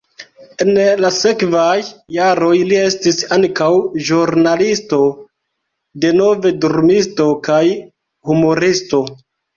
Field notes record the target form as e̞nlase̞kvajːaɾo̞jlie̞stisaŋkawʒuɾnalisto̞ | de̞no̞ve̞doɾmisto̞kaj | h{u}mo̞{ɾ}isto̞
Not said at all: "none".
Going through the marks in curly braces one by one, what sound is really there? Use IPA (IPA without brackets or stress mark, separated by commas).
u, ɾ